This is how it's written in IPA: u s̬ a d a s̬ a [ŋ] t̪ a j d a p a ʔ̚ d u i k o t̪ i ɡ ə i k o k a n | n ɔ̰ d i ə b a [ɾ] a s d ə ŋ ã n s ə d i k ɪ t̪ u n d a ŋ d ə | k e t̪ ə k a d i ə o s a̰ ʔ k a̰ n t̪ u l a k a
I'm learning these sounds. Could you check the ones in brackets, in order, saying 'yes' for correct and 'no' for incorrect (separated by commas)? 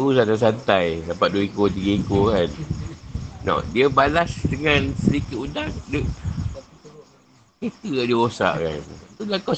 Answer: no, no